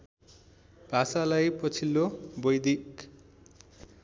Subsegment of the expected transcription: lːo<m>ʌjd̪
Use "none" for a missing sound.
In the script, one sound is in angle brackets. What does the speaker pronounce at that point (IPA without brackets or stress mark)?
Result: b